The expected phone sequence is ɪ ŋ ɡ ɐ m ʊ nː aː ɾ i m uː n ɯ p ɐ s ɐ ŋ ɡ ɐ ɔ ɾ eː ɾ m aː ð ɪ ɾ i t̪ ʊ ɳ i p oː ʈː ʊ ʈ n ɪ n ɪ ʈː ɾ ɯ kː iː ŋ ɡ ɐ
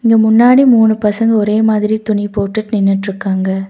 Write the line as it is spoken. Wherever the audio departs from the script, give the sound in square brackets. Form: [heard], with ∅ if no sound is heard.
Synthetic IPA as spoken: ɪ ŋ ɡ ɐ m ʊ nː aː [ɽ] i m uː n ɯ p ɐ s ɐ ŋ ɡ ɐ ɔ ɾ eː [∅] m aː ð ɪ ɾ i t̪ ʊ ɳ i p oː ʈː [ɯ] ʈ n ɪ [nː] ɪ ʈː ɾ ɯ kː [aː] ŋ ɡ ɐ

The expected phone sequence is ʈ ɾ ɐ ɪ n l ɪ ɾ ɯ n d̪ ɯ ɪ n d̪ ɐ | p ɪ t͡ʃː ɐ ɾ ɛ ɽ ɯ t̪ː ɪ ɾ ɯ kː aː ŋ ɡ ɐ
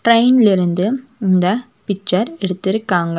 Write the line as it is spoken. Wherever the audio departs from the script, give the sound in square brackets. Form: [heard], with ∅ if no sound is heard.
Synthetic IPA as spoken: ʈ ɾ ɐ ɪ n l ɪ ɾ ɯ n d̪ ɯ ɪ n d̪ ɐ | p ɪ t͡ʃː ɐ ɾ ɛ ɽ ɯ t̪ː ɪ ɾ ɯ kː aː ŋ ɡ ɐ

